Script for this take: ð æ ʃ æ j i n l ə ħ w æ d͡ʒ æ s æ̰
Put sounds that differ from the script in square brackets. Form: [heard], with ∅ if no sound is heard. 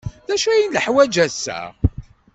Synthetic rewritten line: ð æ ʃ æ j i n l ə ħ w æ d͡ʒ æ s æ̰